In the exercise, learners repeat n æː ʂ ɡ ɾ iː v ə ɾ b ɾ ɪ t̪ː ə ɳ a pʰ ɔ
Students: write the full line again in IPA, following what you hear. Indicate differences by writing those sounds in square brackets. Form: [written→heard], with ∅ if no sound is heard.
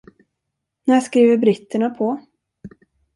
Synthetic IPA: n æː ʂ [ɡ→k] ɾ iː v ə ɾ b ɾ ɪ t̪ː ə ɳ a pʰ ɔ